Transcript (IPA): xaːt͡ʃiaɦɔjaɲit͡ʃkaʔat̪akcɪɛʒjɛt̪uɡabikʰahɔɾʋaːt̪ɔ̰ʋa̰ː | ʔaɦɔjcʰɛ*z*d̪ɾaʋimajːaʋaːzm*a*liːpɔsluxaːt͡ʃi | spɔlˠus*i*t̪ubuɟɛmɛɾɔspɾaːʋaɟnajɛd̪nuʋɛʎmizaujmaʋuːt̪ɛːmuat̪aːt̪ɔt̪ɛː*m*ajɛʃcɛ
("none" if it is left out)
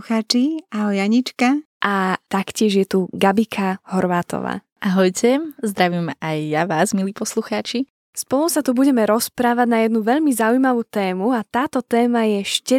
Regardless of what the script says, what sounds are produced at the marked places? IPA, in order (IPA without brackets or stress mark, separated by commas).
z, i, a, m